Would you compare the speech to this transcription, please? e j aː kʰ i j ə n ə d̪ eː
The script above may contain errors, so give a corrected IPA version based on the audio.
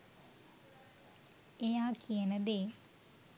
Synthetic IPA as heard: e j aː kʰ i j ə n ə d̪ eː